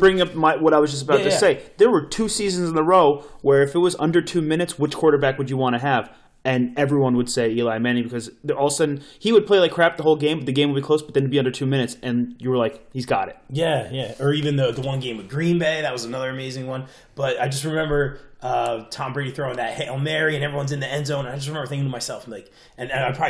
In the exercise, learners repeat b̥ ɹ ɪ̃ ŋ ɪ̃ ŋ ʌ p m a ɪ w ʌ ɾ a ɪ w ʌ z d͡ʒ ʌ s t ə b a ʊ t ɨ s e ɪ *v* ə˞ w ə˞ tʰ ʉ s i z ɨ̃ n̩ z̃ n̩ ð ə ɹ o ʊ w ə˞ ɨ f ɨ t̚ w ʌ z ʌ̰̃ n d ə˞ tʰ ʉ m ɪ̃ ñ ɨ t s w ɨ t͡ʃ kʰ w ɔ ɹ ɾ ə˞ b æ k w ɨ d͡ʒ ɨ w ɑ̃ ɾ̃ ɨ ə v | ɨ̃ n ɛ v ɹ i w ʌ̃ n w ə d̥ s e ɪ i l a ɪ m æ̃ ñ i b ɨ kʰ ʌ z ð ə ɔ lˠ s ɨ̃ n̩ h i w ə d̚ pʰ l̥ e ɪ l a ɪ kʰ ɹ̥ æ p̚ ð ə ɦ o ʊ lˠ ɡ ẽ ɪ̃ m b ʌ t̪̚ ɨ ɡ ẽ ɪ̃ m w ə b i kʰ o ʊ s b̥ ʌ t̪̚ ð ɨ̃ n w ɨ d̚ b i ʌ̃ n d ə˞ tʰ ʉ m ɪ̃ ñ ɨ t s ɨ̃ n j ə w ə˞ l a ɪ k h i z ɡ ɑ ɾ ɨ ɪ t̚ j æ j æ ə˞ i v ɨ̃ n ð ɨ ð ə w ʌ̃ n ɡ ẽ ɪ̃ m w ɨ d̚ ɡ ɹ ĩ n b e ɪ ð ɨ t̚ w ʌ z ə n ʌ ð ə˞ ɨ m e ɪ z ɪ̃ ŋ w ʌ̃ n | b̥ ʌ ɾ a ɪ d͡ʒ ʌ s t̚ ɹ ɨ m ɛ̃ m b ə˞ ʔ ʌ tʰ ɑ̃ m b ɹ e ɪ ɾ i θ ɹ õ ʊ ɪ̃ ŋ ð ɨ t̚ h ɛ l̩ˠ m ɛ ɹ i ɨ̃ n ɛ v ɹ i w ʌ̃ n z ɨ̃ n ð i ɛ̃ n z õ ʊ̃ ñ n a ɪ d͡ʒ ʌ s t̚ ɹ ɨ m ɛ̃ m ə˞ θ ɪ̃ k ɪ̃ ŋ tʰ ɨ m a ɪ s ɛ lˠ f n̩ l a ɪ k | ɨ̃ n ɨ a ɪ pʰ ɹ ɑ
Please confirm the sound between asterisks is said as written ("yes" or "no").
no